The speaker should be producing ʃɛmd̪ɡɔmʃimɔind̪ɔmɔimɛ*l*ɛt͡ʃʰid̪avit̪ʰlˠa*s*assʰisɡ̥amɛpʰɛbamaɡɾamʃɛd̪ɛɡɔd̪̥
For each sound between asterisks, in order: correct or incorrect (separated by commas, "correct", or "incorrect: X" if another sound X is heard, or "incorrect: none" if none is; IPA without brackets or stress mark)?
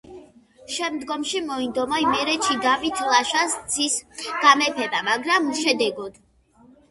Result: incorrect: ɾ, incorrect: ʃ